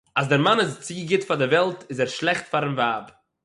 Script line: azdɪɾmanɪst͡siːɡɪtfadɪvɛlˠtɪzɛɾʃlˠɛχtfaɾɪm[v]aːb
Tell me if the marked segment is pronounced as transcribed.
yes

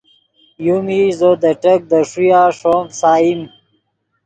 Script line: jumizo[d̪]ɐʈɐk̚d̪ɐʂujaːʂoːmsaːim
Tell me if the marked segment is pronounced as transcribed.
yes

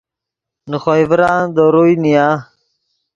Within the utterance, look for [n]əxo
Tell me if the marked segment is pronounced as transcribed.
yes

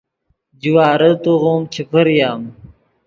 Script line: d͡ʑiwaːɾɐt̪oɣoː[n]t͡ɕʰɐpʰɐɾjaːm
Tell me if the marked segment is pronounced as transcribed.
no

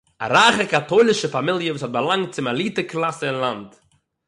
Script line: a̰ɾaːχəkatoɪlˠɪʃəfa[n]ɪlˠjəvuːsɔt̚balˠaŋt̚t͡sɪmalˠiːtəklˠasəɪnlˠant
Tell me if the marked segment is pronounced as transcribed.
no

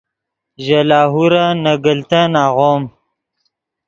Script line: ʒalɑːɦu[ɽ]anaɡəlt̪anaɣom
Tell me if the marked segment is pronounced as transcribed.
no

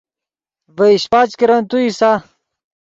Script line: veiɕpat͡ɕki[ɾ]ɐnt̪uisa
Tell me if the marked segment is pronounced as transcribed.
yes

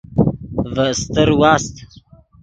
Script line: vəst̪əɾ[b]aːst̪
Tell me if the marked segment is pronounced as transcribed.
no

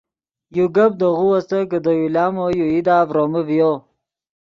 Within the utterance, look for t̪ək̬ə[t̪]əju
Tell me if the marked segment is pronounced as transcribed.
no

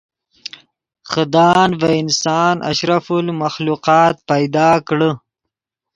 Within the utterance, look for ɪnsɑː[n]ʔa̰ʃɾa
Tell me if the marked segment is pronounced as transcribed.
yes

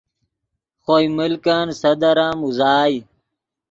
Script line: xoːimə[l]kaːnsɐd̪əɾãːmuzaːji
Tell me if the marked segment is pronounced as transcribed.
yes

